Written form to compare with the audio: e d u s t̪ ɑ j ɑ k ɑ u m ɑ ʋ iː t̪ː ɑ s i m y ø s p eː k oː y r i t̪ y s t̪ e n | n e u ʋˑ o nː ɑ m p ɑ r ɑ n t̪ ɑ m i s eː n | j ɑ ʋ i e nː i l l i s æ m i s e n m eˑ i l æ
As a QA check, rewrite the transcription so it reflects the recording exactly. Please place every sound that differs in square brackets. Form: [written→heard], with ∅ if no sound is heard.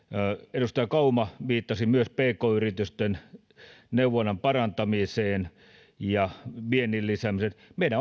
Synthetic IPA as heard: e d u s t̪ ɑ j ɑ k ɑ u m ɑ ʋ iː t̪ː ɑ s i m y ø s p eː k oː y r i t̪ y s t̪ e n | n e u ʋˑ o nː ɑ m p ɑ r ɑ n t̪ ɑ m i s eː n | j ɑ ʋ i e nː i l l i s æ m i s e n m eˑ i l æ